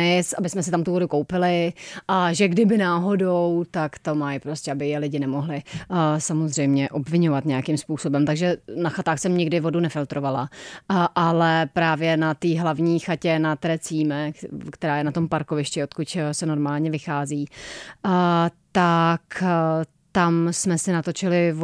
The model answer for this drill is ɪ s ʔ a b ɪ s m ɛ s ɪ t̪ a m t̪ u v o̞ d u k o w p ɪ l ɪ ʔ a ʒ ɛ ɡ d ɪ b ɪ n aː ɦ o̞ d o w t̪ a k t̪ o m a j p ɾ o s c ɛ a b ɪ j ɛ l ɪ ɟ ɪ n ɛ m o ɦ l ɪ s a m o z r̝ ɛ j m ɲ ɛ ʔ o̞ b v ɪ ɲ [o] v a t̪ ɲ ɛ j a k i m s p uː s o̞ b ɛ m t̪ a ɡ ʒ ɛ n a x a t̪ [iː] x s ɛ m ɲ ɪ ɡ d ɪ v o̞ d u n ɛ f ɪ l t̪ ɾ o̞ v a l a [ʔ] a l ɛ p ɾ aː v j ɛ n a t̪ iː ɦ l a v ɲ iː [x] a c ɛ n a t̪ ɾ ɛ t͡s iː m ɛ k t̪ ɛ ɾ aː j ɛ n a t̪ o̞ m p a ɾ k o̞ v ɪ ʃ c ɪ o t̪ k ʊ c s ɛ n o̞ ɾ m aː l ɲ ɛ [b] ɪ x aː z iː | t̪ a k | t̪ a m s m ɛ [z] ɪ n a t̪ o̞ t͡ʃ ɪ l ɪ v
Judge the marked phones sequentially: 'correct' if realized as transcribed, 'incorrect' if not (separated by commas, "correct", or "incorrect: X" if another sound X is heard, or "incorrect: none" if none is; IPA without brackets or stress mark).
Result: correct, incorrect: aː, correct, correct, incorrect: v, incorrect: s